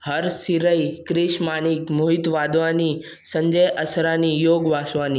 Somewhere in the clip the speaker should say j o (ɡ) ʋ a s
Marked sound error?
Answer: no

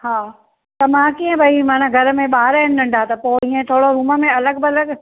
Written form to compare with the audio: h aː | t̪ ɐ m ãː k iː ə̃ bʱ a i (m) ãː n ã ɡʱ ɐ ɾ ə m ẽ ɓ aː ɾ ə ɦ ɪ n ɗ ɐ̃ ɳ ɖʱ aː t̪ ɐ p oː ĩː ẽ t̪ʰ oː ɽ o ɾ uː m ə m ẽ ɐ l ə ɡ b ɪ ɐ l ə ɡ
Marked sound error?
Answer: no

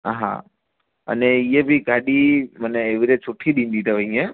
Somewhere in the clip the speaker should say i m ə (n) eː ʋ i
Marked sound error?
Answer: no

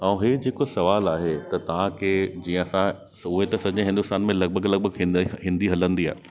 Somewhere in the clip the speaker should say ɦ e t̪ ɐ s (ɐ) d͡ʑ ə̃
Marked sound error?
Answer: no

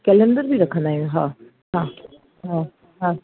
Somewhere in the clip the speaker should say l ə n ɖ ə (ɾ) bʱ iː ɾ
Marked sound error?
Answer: no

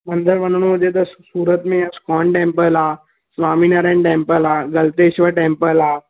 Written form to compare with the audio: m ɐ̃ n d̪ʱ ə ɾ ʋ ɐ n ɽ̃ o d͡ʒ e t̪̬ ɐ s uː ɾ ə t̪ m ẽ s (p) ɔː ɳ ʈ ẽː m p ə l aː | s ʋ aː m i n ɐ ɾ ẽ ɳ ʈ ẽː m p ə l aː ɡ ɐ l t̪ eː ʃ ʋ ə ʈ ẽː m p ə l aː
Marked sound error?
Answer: yes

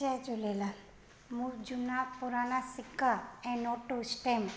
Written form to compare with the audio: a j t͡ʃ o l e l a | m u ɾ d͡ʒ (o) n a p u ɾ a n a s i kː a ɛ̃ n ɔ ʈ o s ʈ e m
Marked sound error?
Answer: yes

